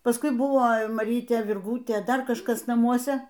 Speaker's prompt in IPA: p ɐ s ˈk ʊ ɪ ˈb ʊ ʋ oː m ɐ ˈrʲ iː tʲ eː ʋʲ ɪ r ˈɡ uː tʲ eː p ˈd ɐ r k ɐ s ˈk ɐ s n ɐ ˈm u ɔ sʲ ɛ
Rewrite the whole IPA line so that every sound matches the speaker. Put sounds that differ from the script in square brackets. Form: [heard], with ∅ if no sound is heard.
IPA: p ɐ s ˈk ʊ ɪ ˈb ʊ ʋ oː m ɐ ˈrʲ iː tʲ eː ʋʲ ɪ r ˈɡ uː tʲ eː [∅] ˈd ɐ r k ɐ [ʃ] ˈk ɐ s n ɐ ˈm u ɔ sʲ ɛ